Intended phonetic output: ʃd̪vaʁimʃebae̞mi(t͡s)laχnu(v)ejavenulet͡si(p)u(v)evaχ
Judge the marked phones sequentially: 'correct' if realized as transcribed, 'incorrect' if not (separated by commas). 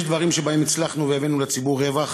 correct, correct, incorrect, incorrect